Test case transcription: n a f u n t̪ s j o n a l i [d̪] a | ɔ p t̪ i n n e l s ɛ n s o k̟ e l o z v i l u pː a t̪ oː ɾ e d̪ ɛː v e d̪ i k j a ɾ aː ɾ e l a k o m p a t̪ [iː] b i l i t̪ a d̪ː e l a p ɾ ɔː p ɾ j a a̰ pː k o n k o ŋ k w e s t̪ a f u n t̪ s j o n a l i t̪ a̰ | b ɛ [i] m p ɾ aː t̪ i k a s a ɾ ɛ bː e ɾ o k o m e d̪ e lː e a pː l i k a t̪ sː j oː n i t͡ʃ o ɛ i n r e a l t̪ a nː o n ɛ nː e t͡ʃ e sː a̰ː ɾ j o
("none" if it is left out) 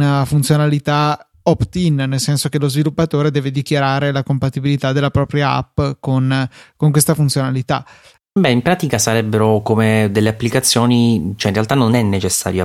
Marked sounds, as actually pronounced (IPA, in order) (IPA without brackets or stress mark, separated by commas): t̪, i, i